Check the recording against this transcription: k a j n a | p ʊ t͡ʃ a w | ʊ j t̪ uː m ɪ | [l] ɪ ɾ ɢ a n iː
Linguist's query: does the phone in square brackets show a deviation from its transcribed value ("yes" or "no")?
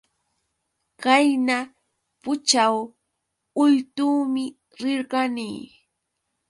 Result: yes